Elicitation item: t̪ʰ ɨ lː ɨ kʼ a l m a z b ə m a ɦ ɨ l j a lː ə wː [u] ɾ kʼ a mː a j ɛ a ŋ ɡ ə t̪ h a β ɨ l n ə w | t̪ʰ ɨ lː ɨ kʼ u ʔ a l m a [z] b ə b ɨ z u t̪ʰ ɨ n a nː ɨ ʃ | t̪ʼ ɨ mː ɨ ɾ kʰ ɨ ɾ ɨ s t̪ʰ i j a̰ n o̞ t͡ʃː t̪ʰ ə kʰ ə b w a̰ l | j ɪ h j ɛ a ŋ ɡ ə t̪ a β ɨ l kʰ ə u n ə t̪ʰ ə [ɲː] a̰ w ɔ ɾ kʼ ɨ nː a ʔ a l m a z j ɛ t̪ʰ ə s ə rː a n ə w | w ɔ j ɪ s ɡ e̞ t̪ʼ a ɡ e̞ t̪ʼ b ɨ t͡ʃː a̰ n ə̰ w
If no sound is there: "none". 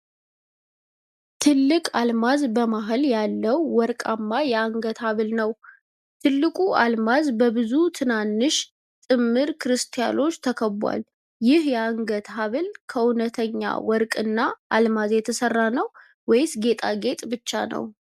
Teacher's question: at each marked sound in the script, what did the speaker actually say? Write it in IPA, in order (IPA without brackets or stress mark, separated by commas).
ɔ, z, ɲː